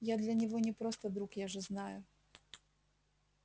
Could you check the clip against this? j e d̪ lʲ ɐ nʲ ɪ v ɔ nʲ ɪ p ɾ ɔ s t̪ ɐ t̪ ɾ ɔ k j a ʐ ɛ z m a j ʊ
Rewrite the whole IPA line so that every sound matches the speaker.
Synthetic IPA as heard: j a d̪ lʲ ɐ nʲ ɪ v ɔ nʲ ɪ p ɾ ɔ s t̪ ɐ d̪ ɾ u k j a ʐ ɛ z n a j ʊ